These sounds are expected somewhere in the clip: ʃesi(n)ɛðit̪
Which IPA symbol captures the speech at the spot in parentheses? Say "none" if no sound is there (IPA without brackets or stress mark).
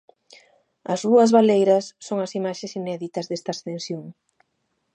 n